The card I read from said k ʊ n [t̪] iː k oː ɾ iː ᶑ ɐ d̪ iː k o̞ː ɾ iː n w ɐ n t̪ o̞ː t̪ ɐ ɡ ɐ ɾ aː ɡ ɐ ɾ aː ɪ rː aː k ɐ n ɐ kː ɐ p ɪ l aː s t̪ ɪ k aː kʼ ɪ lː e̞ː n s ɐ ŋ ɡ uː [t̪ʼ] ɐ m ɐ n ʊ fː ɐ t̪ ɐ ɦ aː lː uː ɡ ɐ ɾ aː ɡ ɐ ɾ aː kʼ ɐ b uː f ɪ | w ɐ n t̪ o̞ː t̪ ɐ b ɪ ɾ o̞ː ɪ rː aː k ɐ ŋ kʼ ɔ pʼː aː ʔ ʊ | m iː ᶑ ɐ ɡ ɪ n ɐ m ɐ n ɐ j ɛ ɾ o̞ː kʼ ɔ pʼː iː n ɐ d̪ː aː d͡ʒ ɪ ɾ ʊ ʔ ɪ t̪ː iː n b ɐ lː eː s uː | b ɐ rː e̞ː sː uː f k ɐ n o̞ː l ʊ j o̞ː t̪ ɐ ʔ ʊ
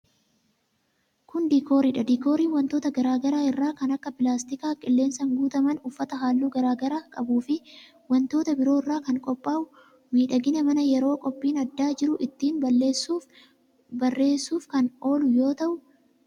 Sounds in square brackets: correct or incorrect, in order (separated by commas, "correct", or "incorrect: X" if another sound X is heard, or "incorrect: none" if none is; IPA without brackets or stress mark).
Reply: incorrect: d̪, incorrect: t̪